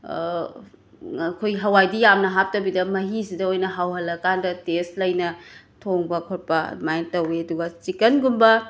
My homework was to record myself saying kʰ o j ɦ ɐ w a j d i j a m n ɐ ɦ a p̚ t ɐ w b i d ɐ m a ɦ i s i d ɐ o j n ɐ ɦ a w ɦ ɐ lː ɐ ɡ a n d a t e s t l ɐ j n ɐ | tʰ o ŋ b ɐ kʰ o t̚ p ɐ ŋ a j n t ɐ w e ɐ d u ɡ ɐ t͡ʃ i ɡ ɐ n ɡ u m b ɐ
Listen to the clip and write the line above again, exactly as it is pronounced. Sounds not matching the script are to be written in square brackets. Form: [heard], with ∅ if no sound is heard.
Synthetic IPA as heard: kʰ o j ɦ ɐ w a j d i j a m n ɐ ɦ a p̚ t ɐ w b i d ɐ m [ɐ] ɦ i s i d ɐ o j n ɐ ɦ a w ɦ ɐ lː ɐ [k] a n d [ɐ] t e s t l ɐ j n ɐ | tʰ o ŋ b ɐ kʰ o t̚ p ɐ [m] a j n t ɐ w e ɐ d u ɡ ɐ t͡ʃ i [k] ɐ n ɡ u m b ɐ